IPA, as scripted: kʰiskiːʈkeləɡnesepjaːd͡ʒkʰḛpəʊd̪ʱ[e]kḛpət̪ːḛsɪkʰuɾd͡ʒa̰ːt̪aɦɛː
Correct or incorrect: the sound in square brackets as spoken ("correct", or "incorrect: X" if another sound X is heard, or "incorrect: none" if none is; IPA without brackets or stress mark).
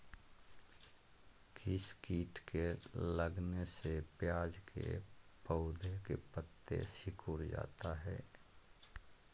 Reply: correct